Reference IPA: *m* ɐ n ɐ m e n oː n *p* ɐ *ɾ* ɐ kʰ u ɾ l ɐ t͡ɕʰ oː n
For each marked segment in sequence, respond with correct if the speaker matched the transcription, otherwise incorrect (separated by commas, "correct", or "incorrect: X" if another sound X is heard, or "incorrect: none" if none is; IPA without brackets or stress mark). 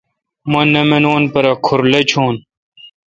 correct, correct, correct